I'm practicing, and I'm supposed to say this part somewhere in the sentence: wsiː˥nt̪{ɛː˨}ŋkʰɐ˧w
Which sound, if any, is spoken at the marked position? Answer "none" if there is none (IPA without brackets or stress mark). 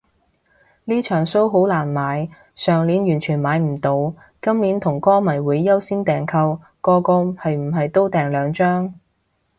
ɛː˨